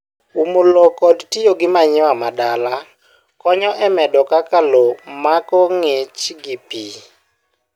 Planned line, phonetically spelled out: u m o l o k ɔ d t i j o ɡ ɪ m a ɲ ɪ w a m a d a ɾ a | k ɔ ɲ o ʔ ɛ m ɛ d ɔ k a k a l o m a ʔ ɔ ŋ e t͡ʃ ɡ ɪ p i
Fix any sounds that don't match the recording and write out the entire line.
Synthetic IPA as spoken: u m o l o k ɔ d t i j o ɡ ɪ m a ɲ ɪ w a m a d a l a | k ɔ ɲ ɔ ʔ ɛ m ɛ d ɔ k a k a l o m a k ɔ ŋ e t͡ʃ ɡ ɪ p i